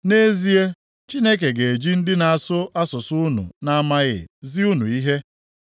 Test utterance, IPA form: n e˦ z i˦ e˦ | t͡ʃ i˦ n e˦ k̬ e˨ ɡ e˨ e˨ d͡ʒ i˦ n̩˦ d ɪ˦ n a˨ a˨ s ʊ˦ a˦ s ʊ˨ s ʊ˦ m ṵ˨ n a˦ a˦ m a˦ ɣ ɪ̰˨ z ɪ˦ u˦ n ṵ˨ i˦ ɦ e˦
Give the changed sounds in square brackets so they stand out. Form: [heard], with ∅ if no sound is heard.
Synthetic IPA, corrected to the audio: n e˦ z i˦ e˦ | t͡ʃ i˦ n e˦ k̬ e˨ ɡ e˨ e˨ d͡ʒ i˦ n̩˦ d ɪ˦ n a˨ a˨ s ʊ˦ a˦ s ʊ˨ s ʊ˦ [n] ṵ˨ n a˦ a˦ m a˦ ɣ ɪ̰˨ z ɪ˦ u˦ n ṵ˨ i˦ ɦ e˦